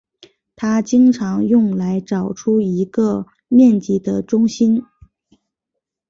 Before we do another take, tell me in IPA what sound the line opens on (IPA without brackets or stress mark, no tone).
t̪ʰ